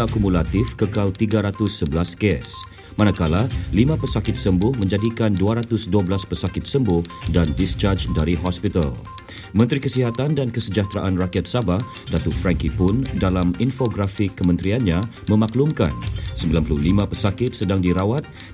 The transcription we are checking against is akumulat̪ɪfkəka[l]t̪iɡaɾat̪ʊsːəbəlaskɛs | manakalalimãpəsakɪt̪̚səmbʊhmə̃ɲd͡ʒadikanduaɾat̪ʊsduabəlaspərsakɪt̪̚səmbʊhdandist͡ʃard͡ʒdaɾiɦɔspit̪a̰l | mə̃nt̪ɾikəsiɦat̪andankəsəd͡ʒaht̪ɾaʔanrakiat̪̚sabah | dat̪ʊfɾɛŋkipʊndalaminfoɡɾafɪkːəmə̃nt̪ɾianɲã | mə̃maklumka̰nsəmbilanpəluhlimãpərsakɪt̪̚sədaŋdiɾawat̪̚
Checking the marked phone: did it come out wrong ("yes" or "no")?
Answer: no